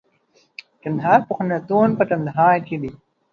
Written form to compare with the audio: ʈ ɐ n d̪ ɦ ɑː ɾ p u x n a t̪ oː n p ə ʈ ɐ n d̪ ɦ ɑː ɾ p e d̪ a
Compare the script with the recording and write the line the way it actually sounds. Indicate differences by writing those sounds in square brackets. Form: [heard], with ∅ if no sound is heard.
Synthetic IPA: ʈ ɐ n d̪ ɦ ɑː ɾ p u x n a t̪ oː n p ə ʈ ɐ n d̪ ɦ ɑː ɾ [k] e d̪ [i]